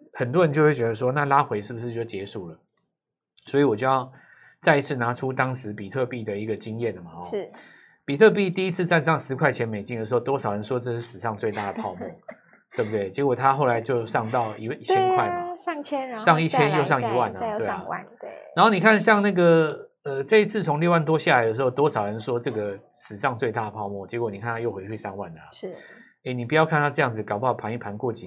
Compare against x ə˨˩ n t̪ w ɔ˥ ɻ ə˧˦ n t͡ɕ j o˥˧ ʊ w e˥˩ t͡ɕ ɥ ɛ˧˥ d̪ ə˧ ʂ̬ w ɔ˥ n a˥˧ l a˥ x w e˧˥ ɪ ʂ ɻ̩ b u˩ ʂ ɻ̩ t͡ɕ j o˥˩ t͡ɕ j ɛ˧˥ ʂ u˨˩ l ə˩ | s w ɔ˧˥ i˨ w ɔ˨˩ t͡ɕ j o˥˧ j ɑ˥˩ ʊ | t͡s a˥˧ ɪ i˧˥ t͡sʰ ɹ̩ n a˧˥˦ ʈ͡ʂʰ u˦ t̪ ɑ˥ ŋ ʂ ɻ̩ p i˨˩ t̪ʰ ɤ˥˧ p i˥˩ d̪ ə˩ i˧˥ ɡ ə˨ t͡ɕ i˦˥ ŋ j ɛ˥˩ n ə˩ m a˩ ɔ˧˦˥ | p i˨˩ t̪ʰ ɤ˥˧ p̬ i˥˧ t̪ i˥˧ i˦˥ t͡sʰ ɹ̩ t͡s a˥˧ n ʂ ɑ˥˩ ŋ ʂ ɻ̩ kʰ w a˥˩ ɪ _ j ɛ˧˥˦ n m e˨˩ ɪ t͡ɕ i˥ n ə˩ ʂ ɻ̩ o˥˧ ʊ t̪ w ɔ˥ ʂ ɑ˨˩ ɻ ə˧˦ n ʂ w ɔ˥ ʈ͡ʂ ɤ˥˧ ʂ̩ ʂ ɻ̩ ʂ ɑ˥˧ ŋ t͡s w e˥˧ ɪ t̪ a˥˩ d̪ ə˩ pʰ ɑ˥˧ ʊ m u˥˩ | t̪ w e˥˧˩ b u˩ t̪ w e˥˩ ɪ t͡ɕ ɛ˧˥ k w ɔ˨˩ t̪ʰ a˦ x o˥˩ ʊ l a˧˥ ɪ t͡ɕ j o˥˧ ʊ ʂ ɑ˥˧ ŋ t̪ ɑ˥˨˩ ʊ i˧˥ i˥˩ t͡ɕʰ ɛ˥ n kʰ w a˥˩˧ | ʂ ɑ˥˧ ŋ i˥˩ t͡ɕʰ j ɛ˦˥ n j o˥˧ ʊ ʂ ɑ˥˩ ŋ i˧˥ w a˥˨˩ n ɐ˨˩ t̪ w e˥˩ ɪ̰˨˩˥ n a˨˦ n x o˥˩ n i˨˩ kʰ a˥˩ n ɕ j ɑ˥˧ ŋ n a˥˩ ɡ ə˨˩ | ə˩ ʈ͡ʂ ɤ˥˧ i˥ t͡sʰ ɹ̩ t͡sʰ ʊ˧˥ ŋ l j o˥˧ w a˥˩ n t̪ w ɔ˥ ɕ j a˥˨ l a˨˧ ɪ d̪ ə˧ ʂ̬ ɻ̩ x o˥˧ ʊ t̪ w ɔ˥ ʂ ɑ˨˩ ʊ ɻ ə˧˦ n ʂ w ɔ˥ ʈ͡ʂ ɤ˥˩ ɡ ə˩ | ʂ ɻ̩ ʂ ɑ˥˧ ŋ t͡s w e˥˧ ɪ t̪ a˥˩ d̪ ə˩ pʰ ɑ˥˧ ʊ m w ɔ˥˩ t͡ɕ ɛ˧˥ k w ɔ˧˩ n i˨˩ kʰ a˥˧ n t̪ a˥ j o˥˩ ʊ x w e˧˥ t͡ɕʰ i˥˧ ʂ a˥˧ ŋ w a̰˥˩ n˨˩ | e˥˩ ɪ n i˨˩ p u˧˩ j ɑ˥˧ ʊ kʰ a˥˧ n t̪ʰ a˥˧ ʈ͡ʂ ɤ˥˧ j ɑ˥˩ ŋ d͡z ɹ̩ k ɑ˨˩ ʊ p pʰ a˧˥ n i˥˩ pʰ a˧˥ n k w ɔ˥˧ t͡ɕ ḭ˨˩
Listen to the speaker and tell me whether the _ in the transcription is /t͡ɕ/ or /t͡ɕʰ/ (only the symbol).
t͡ɕʰ